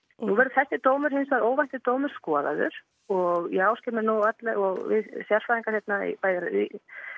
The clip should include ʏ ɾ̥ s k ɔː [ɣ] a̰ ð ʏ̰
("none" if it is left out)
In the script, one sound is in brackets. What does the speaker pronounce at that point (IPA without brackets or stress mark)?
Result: ð